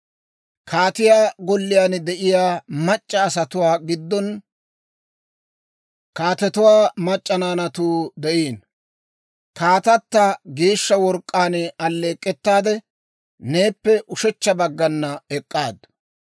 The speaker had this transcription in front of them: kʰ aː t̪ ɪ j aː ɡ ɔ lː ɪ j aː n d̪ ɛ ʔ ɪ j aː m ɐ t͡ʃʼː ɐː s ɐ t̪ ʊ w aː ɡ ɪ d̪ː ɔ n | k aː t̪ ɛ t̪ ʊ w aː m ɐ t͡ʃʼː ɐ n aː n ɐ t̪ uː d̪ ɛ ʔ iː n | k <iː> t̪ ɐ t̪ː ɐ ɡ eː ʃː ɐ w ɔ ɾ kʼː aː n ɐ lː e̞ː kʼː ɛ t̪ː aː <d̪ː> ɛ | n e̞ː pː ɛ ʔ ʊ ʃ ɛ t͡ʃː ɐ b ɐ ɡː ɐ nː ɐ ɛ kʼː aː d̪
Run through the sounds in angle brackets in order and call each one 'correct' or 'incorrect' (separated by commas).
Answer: incorrect, incorrect